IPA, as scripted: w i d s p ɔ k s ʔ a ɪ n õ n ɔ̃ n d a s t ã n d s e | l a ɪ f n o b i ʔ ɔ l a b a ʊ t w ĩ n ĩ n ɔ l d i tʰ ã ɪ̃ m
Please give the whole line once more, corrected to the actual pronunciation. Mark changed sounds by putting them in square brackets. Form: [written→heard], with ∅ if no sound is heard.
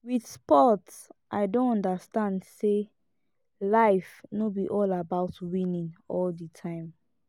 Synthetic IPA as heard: w i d s p ɔ [k→t] s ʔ a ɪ [n→d] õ n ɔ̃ n d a s t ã n d s e | l a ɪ f n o b i ʔ ɔ l a b a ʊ t w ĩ n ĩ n ɔ l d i tʰ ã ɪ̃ m